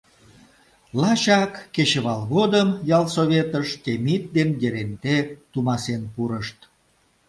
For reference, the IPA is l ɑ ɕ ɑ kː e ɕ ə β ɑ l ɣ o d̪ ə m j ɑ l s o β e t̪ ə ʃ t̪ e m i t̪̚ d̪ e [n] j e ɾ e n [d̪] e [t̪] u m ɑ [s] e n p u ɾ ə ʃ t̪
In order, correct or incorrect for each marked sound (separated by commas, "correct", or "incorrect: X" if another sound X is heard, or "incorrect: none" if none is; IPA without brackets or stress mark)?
correct, incorrect: t̪, correct, correct